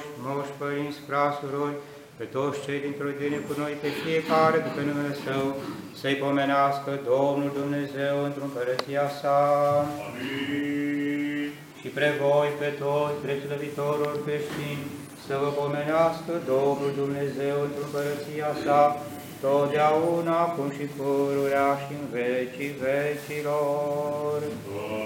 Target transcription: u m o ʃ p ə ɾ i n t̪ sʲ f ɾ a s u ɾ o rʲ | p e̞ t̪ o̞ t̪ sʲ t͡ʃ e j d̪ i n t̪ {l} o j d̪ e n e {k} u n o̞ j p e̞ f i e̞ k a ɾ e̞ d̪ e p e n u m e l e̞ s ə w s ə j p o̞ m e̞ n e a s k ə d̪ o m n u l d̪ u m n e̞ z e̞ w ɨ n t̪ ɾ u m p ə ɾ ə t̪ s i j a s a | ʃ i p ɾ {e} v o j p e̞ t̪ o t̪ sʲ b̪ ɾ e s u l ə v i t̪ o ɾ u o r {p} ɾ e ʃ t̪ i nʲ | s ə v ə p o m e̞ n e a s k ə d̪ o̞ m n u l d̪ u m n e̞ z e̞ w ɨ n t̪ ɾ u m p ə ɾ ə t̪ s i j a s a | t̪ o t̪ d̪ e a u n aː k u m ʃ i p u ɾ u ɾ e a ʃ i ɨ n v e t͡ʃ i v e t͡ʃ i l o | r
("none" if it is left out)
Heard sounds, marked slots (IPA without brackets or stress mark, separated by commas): ɾ, k, e, k